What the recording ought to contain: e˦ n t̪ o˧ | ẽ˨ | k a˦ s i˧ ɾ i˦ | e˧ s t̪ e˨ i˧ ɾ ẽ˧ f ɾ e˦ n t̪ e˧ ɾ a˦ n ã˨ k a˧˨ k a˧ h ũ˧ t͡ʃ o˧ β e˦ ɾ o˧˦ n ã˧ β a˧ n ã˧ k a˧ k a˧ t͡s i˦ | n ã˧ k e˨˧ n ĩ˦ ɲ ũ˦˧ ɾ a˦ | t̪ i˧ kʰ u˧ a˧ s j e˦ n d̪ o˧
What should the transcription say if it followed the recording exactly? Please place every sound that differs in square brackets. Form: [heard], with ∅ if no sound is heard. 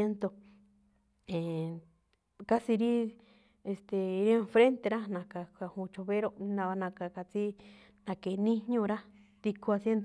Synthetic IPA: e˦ n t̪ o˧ | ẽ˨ | k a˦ s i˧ ɾ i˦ | e˧ s t̪ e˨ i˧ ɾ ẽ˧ f ɾ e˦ n t̪ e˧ ɾ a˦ n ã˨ k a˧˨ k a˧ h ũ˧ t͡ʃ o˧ β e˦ ɾ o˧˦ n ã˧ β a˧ n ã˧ k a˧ k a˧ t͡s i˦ | n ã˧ k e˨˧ n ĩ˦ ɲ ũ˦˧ ɾ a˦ | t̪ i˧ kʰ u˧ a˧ s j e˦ n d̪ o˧